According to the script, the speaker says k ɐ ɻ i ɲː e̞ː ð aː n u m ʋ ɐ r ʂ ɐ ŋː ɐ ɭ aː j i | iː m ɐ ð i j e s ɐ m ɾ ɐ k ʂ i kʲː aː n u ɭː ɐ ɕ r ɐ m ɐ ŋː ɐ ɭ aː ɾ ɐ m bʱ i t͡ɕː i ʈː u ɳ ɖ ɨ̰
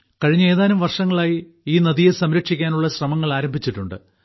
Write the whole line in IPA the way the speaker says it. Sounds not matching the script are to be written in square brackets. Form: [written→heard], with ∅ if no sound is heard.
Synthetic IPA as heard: k ɐ ɻ i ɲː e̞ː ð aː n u m ʋ ɐ r ʂ ɐ ŋː ɐ ɭ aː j i | iː [m→n] ɐ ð i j e s ɐ m ɾ ɐ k ʂ i kʲː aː n u ɭː ɐ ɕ r ɐ m ɐ ŋː ɐ ɭ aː ɾ ɐ m bʱ i t͡ɕː i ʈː u ɳ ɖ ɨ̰